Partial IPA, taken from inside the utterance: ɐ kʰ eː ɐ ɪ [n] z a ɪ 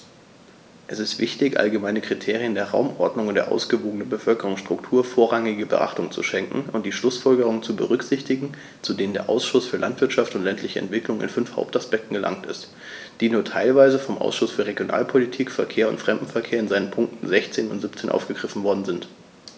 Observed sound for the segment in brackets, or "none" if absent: n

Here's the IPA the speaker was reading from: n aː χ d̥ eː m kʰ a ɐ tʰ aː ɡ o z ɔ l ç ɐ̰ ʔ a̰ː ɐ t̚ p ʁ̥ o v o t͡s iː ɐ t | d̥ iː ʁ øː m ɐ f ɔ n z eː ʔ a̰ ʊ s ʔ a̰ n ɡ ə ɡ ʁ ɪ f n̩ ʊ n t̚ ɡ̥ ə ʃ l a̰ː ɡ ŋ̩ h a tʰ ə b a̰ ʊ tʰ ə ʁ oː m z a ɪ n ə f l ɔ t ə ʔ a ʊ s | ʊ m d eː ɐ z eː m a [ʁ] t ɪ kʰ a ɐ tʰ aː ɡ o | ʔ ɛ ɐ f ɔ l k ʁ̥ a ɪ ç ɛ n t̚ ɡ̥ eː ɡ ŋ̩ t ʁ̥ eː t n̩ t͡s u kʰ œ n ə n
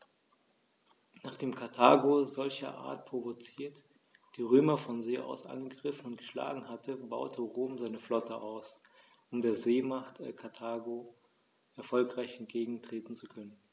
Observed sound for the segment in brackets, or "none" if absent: χ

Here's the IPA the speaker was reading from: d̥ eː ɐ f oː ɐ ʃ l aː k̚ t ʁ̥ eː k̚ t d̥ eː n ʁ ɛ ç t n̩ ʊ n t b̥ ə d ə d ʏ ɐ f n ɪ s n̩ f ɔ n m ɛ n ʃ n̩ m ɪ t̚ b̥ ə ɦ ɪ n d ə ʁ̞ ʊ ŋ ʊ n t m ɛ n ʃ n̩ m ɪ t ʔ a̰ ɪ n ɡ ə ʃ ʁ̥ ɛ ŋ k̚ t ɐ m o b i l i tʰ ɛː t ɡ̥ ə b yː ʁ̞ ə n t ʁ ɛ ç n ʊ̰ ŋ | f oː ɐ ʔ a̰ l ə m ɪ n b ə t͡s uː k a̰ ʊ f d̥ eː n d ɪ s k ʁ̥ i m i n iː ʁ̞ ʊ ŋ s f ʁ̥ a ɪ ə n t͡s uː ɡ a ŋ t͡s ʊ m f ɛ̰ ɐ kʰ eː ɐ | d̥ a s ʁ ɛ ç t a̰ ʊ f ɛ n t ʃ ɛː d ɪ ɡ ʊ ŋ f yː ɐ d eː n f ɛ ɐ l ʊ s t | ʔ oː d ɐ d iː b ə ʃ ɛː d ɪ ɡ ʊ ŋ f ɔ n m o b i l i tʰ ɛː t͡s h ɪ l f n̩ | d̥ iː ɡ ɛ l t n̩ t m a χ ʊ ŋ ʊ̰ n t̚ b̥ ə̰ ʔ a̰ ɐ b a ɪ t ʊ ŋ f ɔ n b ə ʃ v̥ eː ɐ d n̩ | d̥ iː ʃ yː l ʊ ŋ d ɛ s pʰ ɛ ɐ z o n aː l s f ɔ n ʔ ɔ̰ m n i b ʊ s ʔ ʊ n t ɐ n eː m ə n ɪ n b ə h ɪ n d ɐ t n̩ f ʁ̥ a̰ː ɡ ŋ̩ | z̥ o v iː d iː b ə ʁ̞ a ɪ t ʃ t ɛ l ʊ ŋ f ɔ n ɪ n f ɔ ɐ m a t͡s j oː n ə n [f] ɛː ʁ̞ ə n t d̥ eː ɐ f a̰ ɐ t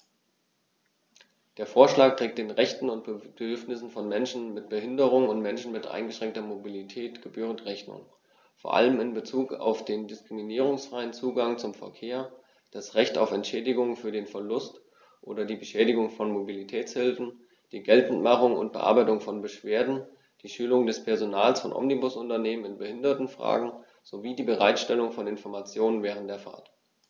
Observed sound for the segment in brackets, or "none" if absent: v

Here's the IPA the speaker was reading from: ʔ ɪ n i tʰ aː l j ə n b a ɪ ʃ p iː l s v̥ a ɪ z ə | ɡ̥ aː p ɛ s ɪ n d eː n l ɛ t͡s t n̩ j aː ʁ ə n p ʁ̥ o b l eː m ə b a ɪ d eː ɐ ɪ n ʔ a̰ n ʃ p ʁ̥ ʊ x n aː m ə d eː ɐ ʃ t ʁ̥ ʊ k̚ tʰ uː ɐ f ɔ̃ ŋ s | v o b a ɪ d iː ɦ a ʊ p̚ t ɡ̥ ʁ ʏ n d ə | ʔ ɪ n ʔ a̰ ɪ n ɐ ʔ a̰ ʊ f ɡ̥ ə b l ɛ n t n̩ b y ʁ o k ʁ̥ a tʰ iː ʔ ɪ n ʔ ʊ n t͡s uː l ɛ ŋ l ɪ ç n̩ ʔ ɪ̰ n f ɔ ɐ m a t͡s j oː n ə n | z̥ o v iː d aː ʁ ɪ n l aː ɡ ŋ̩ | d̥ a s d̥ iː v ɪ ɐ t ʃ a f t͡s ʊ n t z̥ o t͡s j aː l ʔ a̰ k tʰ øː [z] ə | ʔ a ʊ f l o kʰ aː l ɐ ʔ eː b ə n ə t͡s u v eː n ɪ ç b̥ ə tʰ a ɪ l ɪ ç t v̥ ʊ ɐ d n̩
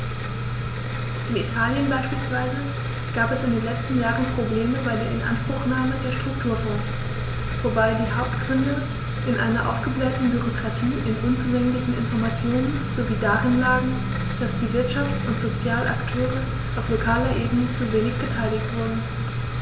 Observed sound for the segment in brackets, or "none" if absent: ʁ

